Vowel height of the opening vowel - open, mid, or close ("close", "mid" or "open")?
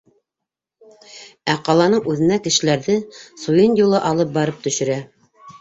open